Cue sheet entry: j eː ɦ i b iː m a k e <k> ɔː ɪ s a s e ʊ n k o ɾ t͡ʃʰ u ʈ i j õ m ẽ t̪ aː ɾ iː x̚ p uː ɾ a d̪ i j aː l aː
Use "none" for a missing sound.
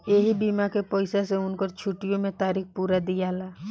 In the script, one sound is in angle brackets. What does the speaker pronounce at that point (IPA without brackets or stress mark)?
p